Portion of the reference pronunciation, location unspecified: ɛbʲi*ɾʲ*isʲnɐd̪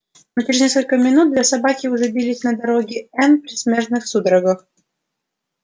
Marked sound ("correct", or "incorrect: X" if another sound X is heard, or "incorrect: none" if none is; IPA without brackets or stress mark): incorrect: lʲ